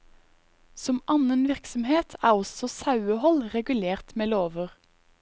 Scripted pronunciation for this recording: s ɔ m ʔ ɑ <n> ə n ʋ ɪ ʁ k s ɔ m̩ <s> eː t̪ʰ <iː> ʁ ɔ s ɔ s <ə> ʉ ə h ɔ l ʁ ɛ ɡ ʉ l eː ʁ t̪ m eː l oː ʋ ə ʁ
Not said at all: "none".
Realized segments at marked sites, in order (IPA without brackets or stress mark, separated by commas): n, h, æː, ɑ